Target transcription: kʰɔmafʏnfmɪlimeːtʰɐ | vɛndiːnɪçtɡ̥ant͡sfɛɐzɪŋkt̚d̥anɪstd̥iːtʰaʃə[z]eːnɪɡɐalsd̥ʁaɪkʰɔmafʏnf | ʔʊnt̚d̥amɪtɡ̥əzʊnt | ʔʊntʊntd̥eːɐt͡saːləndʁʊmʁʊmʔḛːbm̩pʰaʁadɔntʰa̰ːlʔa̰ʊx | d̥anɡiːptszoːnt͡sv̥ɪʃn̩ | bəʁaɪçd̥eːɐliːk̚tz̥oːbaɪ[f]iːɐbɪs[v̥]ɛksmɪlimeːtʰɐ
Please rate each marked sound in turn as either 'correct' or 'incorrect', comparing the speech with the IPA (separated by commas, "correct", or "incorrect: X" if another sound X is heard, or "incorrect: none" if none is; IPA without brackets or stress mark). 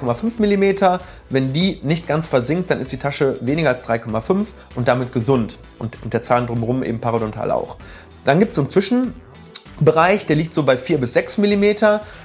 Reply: incorrect: v, correct, incorrect: z̥